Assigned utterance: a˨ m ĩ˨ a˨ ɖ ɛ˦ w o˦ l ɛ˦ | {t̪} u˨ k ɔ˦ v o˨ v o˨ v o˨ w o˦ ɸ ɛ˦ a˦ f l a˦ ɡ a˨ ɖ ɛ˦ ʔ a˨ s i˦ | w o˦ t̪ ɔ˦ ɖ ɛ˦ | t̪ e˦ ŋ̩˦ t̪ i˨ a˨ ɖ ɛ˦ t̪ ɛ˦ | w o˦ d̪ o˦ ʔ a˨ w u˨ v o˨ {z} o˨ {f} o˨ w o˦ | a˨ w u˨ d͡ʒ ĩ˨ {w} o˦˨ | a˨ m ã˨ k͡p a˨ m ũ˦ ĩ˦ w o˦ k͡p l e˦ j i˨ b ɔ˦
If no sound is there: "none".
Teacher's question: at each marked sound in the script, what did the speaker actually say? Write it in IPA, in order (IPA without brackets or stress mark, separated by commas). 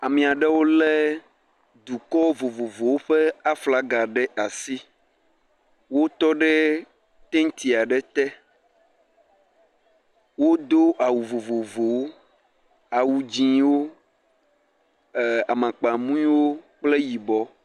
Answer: d̪, v, v, w